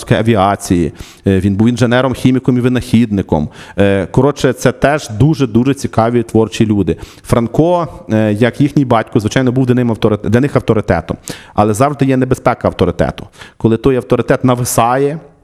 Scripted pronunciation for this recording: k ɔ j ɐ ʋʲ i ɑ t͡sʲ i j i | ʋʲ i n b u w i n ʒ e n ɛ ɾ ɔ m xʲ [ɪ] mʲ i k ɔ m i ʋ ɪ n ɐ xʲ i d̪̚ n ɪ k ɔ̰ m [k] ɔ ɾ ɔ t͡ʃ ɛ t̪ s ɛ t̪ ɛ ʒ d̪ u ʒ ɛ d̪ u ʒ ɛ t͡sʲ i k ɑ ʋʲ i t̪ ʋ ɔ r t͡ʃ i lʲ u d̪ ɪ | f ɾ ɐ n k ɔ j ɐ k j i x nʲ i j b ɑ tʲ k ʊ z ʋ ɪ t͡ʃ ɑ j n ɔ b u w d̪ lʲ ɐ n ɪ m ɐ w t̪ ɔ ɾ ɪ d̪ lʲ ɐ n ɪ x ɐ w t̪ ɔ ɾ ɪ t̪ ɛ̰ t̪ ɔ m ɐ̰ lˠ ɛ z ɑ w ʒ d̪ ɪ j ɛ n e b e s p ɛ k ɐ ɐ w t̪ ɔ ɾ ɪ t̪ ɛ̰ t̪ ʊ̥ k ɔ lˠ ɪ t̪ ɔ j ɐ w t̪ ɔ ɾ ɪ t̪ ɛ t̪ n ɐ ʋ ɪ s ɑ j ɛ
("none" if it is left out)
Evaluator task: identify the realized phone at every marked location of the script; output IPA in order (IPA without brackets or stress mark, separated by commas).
i, k